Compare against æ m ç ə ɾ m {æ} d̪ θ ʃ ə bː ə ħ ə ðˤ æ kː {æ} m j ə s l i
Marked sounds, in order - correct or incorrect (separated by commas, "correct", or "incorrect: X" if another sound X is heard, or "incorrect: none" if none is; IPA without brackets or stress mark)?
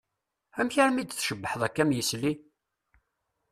incorrect: i, correct